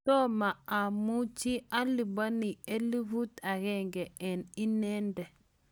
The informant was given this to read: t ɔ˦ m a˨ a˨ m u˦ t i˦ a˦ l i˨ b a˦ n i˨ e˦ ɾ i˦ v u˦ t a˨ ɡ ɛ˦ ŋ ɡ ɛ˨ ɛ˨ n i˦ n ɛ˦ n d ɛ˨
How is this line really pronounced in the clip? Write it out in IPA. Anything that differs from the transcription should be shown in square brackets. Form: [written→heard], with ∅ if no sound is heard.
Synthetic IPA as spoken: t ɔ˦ m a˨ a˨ m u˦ [t→t͡ʃ] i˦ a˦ l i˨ b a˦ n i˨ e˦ [ɾ→l] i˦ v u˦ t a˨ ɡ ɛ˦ ŋ ɡ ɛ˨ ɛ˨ n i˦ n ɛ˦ n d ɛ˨